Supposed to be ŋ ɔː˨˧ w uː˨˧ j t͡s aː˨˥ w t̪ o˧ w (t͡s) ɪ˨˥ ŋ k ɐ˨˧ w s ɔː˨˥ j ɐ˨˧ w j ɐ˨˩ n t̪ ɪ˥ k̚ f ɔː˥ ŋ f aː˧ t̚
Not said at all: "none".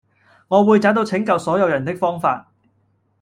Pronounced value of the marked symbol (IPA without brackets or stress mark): t͡sʰ